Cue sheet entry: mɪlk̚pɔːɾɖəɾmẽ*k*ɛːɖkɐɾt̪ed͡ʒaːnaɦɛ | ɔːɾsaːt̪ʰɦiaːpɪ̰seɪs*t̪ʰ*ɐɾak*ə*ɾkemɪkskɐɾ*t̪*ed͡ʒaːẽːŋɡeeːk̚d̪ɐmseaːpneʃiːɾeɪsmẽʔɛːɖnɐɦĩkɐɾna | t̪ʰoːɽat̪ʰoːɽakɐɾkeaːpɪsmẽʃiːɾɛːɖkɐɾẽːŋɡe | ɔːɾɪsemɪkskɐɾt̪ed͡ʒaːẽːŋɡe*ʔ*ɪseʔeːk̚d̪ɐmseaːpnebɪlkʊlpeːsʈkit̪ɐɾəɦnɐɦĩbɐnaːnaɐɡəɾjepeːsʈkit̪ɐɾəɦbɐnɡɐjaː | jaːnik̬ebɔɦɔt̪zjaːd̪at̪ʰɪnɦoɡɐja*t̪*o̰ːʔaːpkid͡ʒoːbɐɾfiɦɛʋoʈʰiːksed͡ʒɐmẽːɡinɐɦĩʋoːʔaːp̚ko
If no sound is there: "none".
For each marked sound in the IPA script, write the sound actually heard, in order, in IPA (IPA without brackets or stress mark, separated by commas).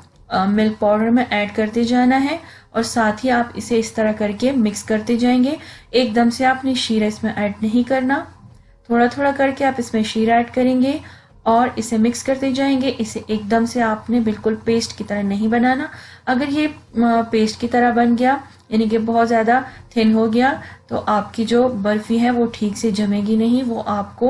ʔ, t̪, ɐ, t̪, ʔ, t̪